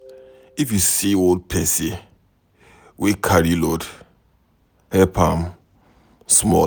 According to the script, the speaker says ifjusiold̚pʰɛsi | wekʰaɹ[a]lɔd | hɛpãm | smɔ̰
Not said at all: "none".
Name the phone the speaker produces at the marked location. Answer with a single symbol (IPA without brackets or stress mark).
i